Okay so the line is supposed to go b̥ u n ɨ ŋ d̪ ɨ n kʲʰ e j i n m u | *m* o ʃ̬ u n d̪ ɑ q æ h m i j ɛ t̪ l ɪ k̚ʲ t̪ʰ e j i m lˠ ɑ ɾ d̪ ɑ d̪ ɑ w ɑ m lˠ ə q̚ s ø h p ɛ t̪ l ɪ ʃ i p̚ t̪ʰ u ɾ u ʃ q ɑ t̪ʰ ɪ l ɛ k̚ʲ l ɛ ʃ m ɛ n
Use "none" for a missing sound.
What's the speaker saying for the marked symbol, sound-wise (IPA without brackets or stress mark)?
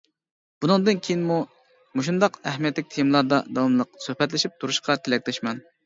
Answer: m